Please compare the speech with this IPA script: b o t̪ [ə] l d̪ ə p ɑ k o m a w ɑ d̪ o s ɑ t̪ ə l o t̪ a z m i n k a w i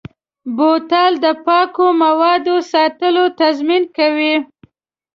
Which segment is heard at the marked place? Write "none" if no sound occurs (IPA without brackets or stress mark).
ɑ